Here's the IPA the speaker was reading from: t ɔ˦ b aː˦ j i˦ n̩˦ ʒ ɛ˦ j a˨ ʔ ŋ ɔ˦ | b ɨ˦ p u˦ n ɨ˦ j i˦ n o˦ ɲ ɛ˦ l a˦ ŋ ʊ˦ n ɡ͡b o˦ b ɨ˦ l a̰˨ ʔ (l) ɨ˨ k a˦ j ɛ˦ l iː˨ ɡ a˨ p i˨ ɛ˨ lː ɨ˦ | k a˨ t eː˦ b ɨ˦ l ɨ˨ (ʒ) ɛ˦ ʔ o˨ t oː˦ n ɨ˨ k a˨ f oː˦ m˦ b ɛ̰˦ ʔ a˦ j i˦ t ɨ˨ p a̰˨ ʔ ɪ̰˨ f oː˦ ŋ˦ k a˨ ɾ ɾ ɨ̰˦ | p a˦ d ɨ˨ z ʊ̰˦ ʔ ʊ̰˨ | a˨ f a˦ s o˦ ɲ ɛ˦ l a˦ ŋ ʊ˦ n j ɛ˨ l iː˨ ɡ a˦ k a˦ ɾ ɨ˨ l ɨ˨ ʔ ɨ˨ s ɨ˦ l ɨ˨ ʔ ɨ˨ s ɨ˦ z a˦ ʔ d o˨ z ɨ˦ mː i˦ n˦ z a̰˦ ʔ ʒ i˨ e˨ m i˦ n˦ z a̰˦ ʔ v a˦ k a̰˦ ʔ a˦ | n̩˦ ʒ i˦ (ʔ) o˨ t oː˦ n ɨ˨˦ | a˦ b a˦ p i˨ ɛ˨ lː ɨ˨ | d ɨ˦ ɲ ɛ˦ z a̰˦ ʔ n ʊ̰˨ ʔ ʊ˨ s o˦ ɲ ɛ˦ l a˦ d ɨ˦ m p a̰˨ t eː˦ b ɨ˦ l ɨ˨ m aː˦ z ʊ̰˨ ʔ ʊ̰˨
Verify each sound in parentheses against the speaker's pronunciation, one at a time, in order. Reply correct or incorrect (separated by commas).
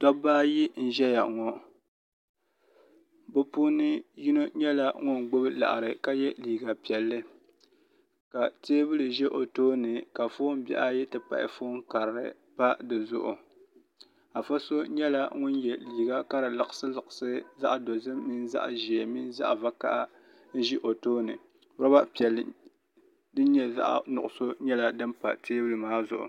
incorrect, correct, correct